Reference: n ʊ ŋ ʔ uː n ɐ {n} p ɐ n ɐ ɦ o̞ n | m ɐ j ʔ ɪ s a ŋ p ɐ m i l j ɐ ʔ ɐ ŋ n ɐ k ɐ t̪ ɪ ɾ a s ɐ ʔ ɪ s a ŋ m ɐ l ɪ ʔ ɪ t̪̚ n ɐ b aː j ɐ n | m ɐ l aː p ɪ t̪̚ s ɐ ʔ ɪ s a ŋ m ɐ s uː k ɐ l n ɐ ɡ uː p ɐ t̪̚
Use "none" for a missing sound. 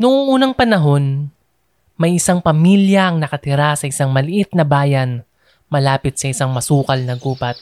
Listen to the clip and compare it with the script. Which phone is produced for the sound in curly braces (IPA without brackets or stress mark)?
ŋ